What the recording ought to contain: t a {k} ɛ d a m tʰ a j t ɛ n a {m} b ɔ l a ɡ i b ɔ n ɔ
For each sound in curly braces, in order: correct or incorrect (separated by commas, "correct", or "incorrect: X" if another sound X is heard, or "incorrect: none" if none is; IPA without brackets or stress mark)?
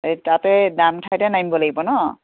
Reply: incorrect: t, correct